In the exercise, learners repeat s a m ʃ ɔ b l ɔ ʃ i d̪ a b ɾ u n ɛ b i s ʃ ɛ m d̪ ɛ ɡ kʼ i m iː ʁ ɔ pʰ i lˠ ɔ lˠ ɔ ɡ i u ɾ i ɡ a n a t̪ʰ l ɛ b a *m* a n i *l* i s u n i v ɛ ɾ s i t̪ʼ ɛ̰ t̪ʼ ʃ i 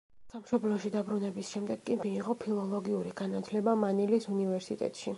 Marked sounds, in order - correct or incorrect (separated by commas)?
correct, correct